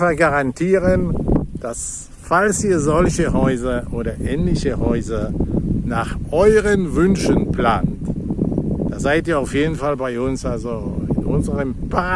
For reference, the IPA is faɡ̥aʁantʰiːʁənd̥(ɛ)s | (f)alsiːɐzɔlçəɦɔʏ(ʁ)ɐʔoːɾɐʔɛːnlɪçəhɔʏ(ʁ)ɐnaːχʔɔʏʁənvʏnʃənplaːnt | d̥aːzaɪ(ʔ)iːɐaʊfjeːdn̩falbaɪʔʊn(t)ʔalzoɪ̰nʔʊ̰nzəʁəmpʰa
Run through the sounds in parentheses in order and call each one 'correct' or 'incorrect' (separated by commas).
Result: incorrect, correct, incorrect, incorrect, incorrect, incorrect